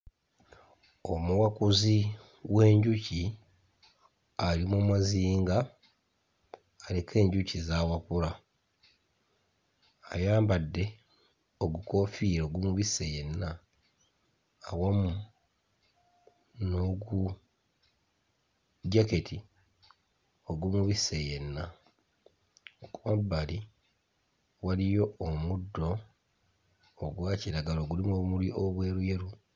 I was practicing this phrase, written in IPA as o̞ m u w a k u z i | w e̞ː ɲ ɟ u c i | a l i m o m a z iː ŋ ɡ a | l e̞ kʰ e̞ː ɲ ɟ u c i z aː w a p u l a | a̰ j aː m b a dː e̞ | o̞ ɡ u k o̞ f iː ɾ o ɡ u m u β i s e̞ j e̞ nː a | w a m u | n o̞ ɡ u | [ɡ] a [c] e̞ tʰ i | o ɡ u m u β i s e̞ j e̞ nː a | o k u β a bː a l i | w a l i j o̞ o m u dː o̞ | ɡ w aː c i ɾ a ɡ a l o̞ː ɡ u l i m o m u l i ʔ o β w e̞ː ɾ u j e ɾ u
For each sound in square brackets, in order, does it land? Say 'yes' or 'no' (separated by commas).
no, no